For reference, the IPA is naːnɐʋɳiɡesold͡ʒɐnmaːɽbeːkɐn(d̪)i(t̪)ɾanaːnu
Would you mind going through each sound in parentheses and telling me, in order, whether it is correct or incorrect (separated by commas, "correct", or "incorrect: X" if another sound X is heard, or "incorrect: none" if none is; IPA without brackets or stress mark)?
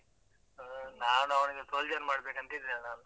incorrect: t̪, incorrect: d̪